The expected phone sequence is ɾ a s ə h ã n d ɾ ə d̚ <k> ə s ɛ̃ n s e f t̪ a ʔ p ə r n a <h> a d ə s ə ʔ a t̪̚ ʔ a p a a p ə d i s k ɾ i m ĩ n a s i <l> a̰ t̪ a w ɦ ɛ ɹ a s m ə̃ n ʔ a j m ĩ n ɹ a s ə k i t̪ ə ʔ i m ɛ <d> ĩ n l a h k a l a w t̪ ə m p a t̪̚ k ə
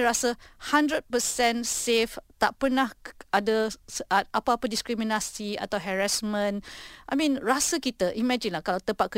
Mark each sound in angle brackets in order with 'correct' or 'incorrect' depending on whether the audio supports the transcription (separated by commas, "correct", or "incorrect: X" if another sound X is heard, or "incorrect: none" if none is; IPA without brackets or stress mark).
incorrect: p, correct, incorrect: none, incorrect: d͡ʒ